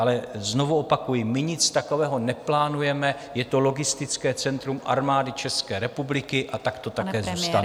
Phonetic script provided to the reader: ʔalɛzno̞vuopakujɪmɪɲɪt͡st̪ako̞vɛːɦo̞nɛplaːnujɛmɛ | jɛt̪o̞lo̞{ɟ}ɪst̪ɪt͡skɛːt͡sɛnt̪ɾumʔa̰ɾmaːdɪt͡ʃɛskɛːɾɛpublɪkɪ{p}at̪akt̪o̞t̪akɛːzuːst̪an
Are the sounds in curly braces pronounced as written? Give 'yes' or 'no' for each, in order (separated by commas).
no, no